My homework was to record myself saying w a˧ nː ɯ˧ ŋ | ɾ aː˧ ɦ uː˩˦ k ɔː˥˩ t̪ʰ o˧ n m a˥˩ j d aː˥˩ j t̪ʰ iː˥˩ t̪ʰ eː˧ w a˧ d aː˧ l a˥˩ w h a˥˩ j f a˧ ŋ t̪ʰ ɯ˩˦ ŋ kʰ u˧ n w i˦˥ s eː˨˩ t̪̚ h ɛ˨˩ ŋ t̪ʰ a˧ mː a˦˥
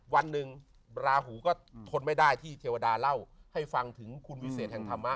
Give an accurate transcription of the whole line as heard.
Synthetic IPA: w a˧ nː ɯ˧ ŋ | ɾ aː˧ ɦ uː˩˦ k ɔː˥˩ t̪ʰ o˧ n m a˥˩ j d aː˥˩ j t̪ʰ iː˥˩ t̪ʰ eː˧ w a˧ d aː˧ l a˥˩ w h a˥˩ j f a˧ ŋ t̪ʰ ɯ˩˦ ŋ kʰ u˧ n w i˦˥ s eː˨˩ t̪̚ h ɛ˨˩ ŋ t̪ʰ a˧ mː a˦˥